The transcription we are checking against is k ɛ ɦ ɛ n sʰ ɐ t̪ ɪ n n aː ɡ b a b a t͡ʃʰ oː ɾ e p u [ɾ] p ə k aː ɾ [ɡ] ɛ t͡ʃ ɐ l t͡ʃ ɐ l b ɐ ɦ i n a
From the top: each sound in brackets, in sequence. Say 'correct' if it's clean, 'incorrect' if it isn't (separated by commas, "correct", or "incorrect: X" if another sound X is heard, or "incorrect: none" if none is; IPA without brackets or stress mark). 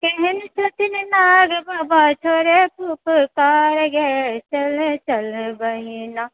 incorrect: none, correct